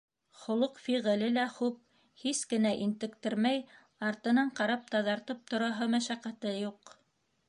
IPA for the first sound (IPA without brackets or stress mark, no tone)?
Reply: χ